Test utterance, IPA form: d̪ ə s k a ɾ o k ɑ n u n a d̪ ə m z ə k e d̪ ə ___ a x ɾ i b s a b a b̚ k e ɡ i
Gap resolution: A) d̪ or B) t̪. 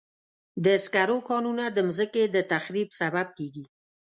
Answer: B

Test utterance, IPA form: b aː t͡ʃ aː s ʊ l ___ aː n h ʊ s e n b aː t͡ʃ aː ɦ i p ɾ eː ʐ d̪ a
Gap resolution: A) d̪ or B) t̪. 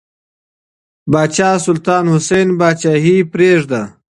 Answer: B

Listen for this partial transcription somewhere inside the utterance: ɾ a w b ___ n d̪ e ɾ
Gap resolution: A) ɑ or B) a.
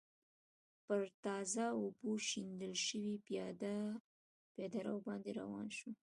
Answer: A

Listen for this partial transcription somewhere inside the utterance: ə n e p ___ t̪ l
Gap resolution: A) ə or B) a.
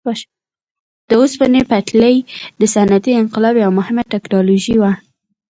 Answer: B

